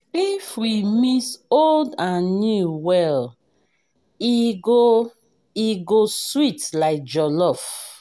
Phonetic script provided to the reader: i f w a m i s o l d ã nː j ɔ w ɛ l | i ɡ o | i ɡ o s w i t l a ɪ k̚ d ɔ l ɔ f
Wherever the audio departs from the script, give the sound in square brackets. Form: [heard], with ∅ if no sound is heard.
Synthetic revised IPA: i f w [i] m i s o l d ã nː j [u] w ɛ l | i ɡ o | i ɡ o s w i t l a ɪ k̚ [d͡ʒ] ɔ l ɔ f